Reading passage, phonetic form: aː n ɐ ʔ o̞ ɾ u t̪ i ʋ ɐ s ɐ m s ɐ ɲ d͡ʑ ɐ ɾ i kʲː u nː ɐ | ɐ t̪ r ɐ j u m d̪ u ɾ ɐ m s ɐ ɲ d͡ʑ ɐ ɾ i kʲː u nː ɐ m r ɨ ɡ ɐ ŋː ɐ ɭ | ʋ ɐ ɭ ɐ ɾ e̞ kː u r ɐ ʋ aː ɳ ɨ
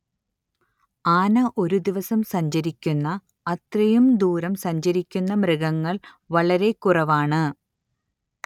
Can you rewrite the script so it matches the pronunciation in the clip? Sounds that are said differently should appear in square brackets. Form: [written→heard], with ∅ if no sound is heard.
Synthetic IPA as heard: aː n ɐ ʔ o̞ ɾ u [t̪→d̪] i ʋ ɐ s ɐ m s ɐ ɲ d͡ʑ ɐ ɾ i kʲː u nː ɐ | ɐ t̪ r ɐ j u m d̪ [u→uː] ɾ ɐ m s ɐ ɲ d͡ʑ ɐ ɾ i kʲː u nː ɐ m r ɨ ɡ ɐ ŋː ɐ ɭ | ʋ ɐ ɭ ɐ ɾ e̞ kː u r ɐ ʋ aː ɳ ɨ